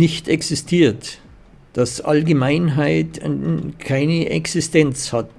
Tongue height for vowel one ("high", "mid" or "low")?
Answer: high